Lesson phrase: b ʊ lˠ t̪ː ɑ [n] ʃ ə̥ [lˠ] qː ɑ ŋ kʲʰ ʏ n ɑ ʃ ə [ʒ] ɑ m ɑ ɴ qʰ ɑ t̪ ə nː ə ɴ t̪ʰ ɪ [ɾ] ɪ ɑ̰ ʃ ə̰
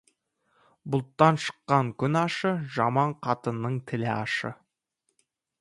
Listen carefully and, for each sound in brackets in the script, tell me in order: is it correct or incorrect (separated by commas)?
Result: correct, incorrect, correct, incorrect